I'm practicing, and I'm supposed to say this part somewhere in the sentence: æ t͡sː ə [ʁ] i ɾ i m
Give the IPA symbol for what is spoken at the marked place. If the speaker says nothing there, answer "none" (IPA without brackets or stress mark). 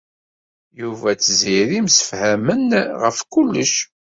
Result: z